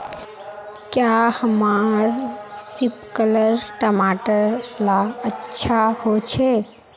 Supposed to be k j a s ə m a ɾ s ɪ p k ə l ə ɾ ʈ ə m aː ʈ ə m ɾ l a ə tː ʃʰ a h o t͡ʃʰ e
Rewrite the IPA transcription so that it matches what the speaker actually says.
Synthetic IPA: k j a h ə m a ɾ s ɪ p k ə l ə ɾ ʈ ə m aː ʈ ə ɾ l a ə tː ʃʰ a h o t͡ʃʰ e